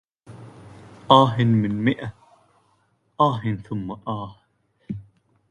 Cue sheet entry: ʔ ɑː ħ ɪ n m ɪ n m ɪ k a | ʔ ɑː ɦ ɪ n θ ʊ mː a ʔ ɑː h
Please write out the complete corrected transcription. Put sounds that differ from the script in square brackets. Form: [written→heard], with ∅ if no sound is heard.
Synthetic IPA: ʔ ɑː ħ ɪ n m ɪ n m ɪ [k→ʔ] a | ʔ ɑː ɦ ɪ n θ ʊ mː a ʔ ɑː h